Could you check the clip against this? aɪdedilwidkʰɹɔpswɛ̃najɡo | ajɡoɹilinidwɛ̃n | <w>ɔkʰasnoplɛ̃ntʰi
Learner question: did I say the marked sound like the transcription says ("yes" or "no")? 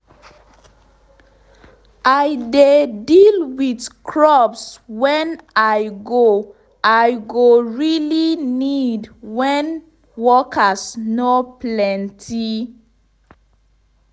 yes